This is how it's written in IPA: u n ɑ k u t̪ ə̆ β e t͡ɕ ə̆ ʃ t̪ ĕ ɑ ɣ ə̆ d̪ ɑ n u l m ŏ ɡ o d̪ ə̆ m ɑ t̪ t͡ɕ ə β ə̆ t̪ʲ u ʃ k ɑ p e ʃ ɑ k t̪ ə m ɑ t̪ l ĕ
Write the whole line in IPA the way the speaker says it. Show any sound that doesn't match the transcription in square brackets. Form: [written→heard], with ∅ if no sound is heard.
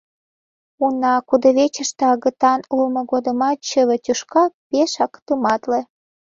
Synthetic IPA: u n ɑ k u [t̪→d̪] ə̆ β e t͡ɕ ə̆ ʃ t̪ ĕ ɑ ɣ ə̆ [d̪→t̪] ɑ n u l m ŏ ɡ o d̪ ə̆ m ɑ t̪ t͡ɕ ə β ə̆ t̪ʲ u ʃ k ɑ p e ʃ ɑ k t̪ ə m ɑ t̪ l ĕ